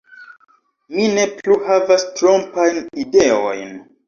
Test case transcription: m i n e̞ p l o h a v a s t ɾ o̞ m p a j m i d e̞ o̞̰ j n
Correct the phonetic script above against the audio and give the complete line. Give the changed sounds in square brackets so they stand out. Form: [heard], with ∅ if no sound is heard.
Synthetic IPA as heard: m i n e̞ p l [u] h a v a s t ɾ o̞ m p a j [n] i d e̞ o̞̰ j n